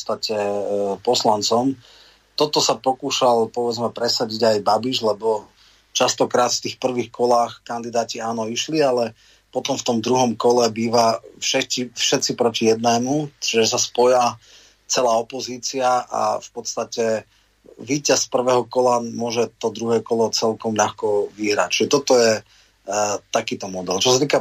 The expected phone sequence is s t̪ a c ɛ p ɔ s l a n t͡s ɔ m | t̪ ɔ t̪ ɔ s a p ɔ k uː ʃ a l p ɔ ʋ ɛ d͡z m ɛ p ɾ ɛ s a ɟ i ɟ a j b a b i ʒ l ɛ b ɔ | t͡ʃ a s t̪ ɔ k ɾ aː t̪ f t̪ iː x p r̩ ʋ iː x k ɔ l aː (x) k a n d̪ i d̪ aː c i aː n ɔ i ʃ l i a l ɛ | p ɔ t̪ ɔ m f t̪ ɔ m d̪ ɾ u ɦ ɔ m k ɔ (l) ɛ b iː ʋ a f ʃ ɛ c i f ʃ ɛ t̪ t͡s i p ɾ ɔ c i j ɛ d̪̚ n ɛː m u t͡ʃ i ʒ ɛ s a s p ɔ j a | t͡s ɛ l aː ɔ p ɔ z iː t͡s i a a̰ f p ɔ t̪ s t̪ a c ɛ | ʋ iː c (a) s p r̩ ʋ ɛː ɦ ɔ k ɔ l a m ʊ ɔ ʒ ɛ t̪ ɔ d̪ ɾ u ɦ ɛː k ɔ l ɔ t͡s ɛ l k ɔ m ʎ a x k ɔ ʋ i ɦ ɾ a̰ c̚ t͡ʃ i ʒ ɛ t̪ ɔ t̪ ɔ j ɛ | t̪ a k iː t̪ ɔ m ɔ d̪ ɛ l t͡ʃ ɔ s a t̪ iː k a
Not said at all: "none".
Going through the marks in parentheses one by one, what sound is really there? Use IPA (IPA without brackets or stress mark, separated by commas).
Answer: x, l, a